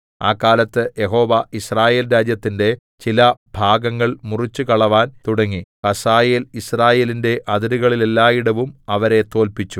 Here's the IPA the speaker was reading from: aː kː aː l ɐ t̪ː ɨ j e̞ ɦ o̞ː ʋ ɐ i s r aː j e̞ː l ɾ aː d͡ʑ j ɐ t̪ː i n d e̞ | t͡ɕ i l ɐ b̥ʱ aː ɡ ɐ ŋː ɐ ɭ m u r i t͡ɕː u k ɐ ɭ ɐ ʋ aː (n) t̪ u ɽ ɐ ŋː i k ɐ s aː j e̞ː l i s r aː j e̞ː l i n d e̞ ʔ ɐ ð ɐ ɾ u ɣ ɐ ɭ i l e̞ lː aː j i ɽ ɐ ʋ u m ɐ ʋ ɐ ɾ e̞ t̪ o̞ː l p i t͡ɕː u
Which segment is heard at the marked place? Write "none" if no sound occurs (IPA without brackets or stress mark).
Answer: n